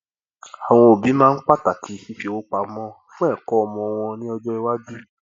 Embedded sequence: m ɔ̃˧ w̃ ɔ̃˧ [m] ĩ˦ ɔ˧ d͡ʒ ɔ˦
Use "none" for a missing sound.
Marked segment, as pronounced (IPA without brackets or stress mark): n